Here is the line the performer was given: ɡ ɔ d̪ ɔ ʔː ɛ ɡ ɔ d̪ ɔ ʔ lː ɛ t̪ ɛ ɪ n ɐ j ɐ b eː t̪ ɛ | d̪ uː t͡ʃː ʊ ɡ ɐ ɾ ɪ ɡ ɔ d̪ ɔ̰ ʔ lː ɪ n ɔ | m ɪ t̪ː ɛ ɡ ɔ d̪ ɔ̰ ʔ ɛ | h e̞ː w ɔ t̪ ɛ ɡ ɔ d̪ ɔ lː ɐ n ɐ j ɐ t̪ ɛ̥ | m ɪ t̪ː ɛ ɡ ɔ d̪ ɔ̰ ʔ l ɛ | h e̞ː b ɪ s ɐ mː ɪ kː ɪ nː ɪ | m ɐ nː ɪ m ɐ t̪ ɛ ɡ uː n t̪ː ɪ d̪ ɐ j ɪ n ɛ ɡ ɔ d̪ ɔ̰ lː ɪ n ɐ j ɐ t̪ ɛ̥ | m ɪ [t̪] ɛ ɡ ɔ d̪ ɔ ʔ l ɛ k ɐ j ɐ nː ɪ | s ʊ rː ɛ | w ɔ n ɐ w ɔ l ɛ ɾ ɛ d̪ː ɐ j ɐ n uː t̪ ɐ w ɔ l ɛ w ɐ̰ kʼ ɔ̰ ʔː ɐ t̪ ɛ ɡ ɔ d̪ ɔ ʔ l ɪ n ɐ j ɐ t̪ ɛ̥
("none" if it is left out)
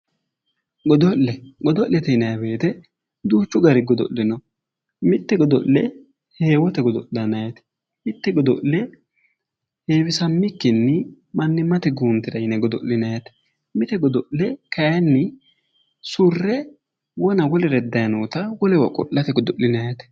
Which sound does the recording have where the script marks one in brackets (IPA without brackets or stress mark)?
t̪